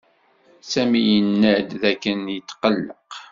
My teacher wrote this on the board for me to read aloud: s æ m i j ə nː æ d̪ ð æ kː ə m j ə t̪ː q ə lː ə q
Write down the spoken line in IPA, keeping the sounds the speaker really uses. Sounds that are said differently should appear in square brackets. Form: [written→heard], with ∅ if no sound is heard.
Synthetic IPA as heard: s æ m i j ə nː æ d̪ ð æ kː ə [m→n] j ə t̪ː q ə lː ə q